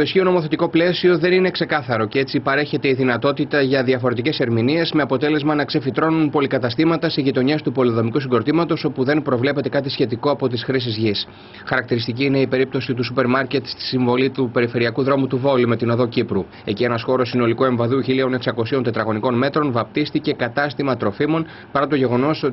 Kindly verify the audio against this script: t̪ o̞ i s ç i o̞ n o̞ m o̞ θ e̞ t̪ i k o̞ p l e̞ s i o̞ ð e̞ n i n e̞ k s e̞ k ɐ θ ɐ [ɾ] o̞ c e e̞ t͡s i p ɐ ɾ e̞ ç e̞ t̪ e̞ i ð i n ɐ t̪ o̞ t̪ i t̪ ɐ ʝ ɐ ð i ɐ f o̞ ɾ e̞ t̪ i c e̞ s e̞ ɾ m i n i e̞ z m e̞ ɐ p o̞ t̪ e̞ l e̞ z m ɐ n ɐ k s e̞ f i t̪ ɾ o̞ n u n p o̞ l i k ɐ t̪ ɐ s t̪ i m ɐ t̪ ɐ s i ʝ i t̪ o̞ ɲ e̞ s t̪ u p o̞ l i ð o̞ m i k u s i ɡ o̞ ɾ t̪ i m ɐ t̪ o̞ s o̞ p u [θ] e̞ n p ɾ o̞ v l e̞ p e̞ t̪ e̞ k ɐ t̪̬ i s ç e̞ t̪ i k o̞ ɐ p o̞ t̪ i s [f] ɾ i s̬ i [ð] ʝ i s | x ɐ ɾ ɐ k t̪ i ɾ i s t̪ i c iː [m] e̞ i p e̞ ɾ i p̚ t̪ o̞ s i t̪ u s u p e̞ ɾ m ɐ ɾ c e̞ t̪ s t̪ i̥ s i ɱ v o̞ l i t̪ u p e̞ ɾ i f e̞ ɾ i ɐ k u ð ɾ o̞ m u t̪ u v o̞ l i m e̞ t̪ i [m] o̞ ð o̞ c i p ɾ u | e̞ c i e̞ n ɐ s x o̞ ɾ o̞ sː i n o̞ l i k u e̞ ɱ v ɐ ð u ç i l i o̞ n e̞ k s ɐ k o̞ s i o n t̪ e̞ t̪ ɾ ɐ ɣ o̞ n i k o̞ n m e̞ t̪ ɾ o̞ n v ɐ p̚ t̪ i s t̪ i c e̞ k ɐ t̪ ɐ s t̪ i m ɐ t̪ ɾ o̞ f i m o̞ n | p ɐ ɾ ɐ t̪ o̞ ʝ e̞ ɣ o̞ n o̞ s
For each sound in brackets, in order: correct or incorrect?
correct, incorrect, incorrect, incorrect, incorrect, incorrect

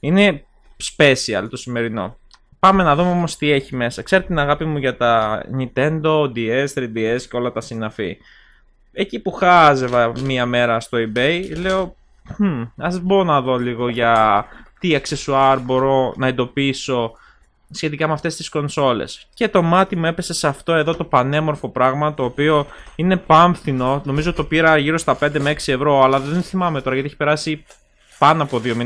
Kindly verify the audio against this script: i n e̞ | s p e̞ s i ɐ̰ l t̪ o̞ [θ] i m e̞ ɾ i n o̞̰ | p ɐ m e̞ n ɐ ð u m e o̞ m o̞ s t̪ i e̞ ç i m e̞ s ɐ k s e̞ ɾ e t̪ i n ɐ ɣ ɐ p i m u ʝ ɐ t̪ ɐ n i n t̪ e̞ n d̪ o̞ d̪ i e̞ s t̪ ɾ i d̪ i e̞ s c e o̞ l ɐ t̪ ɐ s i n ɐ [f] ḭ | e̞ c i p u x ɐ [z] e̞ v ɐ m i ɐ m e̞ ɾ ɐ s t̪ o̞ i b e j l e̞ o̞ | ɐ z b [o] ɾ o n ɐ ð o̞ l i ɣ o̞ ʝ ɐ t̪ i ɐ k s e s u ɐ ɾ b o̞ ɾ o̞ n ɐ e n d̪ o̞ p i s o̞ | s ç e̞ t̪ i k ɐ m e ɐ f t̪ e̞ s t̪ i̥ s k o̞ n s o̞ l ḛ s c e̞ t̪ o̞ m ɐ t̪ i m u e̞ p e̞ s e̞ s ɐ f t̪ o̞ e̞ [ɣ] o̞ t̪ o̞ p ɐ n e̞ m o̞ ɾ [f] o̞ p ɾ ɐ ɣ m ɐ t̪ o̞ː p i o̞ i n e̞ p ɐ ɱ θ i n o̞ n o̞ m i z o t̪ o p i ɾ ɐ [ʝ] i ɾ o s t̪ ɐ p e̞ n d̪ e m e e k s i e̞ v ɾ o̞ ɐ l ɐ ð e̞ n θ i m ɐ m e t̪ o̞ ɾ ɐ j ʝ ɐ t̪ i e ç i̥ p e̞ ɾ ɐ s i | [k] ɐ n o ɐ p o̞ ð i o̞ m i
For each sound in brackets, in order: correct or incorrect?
incorrect, correct, correct, correct, incorrect, correct, correct, incorrect

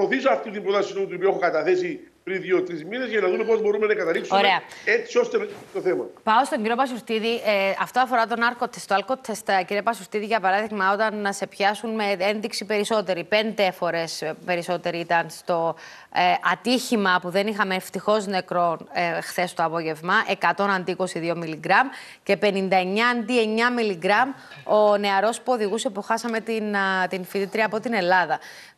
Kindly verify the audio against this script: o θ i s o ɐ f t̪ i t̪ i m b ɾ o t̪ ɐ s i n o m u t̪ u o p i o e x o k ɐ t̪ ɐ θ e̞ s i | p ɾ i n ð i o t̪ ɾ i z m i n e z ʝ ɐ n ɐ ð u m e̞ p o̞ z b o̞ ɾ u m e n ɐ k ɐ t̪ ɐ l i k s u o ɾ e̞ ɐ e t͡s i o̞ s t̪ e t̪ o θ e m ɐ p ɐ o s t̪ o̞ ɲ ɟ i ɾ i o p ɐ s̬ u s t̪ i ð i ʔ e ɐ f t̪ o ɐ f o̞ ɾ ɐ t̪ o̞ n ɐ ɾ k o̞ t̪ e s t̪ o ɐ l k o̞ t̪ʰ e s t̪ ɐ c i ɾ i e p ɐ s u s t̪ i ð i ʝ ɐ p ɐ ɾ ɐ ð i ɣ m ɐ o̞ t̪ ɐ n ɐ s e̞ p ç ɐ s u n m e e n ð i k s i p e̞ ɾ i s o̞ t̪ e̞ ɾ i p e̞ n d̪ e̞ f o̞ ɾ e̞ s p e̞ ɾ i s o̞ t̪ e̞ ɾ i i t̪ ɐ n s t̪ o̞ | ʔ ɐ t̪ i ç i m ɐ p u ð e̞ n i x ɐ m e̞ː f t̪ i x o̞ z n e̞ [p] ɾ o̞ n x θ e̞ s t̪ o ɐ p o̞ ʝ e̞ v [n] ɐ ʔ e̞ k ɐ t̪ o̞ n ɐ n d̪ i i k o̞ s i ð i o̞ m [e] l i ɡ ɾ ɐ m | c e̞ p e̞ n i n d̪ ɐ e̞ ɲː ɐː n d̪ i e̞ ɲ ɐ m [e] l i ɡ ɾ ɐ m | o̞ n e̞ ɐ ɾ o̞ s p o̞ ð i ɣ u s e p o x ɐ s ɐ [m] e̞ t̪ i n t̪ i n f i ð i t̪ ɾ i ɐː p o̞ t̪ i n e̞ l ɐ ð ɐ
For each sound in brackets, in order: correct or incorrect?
incorrect, incorrect, incorrect, incorrect, correct

